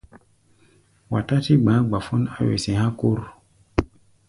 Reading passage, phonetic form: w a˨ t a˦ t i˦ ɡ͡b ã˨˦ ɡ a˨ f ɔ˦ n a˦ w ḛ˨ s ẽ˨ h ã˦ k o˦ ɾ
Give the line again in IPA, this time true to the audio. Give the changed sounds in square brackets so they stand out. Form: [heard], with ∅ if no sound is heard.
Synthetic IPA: w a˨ t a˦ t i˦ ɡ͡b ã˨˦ [ɡ͡b] a˨ f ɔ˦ n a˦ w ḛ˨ s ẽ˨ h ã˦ k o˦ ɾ

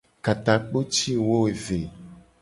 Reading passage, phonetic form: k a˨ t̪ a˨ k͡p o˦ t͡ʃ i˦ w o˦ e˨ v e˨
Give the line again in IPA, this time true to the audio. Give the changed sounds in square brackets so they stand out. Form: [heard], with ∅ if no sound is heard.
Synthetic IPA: k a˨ t̪ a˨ k͡p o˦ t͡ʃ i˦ w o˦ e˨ v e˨

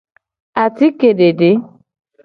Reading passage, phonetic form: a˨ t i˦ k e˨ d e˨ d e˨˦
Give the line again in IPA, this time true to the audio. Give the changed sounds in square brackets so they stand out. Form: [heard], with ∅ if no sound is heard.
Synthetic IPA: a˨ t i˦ k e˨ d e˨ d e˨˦

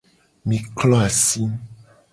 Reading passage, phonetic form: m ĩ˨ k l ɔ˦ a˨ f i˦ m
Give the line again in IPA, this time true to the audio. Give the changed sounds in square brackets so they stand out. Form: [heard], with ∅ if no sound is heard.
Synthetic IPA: m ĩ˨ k l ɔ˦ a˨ [s] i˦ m

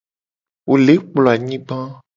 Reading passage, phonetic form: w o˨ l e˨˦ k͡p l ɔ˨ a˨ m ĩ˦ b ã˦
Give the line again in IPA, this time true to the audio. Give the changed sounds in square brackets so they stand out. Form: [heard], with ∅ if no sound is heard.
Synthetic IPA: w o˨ l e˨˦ k͡p l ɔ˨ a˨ [ɲ] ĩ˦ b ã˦

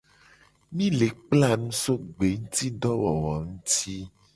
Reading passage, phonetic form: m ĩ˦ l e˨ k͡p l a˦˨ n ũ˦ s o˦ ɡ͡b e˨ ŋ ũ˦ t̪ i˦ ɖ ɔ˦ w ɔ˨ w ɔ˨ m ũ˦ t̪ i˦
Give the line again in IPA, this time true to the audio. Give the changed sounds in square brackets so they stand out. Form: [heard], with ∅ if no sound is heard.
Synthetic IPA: m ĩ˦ l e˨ k͡p l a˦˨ n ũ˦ s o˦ ɡ͡b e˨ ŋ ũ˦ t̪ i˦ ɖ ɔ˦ w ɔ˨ w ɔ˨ [ŋ] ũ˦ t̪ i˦

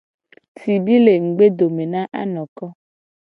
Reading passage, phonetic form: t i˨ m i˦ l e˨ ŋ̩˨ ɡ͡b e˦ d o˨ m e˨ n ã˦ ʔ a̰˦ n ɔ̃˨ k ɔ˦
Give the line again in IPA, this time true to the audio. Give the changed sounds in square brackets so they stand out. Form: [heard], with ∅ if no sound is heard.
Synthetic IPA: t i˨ [b] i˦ l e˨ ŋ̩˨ ɡ͡b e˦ d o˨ m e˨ n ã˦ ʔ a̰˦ n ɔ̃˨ k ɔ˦

